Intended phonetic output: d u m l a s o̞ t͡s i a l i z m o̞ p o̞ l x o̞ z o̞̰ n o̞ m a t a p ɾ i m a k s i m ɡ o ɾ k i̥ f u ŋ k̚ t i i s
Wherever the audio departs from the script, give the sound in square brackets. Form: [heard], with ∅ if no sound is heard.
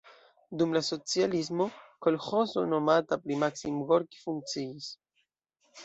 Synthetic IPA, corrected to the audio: d u m l a s o̞ t͡s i a l i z m o̞ [k] o̞ l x o̞ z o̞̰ n o̞ m a t a p ɾ i m a k s i m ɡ o ɾ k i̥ f u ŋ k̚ [t͡s] i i s

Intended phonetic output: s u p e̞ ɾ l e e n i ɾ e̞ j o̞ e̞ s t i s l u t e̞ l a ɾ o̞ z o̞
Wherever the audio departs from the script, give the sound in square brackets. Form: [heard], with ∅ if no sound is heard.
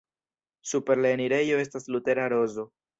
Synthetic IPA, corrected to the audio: s u p e̞ ɾ l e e n i ɾ e̞ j o̞ e̞ s t [a] s l u t e̞ [ɾ] a ɾ o̞ z o̞

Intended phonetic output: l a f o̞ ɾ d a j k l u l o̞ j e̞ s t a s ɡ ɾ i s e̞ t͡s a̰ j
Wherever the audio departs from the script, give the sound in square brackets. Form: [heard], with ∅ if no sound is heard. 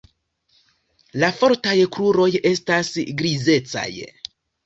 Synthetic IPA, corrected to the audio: l a f o̞ ɾ [t] a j k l u [ɾ] o̞ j e̞ s t a s ɡ ɾ i [z] e̞ t͡s a̰ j

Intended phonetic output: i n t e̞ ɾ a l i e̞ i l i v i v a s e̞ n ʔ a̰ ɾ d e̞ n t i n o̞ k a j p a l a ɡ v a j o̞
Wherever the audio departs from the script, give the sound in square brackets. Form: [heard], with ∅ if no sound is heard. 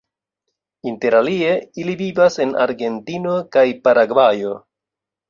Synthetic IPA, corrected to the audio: i n t e̞ ɾ a l i e̞ i l i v i v a s e̞ n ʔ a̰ ɾ [ɡ] e̞ n t i n o̞ k a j p a [ɾ] a ɡ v a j o̞

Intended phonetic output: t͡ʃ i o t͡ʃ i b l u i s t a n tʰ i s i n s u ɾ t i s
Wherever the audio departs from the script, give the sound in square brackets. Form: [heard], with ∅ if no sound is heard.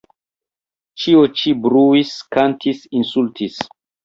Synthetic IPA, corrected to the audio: t͡ʃ i o t͡ʃ i b [ɾ] u i s [k] a n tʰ i s i n s u [l] t i s

